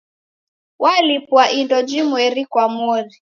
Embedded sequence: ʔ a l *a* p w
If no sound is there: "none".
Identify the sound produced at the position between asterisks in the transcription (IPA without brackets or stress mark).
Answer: i